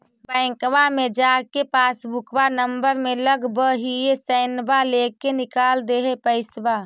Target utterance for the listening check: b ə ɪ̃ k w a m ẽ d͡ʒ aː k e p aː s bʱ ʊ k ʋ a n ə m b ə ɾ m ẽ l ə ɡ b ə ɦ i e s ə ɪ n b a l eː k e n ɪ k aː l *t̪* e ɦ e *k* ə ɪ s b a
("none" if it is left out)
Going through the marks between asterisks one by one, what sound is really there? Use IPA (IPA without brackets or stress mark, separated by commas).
d̪, p